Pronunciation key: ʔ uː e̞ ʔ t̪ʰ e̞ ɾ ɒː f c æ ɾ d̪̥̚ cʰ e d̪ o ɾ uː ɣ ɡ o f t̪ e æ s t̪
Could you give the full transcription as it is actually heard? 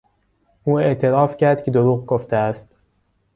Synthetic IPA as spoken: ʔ uː e̞ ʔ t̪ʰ e̞ ɾ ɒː f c æ ɾ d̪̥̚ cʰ e d̪ o ɾ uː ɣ ɡ o f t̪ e æ s t̪